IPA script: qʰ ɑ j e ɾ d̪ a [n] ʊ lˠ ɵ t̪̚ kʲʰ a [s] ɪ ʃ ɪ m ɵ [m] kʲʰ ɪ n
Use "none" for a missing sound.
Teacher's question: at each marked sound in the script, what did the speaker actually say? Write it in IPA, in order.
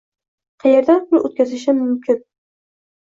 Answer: n, z, m

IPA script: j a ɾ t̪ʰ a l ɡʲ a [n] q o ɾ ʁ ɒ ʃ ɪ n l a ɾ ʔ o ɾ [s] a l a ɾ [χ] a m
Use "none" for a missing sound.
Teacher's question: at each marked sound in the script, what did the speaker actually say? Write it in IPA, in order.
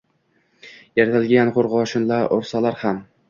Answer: n, s, h

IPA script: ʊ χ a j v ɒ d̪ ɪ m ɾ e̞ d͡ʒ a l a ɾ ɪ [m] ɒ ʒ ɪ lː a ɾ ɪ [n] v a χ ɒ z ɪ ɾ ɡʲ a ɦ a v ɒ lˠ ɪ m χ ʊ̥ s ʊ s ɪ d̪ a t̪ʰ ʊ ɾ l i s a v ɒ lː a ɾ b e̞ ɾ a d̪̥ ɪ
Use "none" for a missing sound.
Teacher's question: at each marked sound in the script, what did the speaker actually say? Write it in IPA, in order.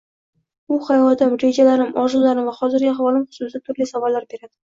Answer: m, m

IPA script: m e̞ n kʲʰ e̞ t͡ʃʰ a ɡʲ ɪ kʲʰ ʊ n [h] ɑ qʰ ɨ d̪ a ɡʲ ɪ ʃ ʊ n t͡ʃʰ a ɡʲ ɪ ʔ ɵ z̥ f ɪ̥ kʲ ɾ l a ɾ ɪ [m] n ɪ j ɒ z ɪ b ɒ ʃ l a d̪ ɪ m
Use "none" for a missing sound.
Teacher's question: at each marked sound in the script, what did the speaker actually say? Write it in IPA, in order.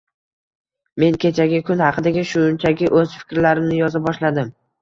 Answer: h, m

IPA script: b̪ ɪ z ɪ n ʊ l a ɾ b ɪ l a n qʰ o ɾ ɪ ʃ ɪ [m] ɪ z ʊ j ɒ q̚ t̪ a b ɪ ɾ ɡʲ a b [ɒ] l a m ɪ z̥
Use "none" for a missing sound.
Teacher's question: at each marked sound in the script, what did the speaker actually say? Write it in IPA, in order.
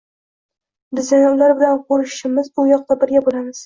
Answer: m, o

